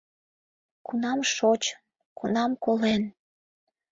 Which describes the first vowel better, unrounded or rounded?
rounded